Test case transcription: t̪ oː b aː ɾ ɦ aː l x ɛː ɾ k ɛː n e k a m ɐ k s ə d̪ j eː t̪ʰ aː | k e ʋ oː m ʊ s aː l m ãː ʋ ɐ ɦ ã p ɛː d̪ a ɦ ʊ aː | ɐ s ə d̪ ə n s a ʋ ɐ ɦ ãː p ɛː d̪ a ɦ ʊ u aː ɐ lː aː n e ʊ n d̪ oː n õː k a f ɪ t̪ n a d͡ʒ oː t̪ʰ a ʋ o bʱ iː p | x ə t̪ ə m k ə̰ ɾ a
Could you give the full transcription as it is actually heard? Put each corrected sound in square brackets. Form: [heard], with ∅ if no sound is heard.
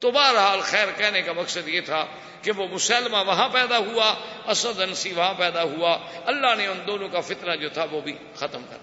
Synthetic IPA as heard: t̪ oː b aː ɾ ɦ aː l x ɛː ɾ k ɛː n e k a m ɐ k s ə d̪ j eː t̪ʰ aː | k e ʋ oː m ʊ s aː l m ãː ʋ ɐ ɦ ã p ɛː d̪ a ɦ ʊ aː | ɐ s ə d̪ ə n s [i] ʋ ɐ ɦ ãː p ɛː d̪ a ɦ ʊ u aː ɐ lː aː n e ʊ n d̪ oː n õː k a f ɪ t̪ n a d͡ʒ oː t̪ʰ a ʋ o bʱ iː [∅] | x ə t̪ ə m k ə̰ ɾ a